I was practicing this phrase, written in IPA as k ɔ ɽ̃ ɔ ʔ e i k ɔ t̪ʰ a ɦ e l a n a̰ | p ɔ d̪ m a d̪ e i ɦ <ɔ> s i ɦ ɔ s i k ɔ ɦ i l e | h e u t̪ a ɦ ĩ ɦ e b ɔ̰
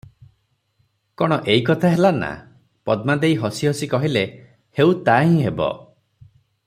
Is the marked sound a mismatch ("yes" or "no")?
no